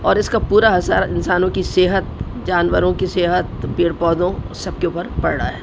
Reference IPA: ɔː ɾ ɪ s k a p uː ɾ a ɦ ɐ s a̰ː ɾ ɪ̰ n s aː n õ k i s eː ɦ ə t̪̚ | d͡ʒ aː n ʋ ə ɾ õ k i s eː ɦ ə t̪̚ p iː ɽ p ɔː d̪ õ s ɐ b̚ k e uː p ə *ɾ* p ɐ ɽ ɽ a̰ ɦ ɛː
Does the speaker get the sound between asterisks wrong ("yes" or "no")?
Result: no